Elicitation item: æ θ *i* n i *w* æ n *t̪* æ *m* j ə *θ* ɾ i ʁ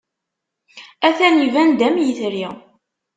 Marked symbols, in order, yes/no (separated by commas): no, no, no, yes, yes